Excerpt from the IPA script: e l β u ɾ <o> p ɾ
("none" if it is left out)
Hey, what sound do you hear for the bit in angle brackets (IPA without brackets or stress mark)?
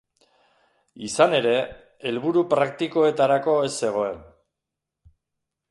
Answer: u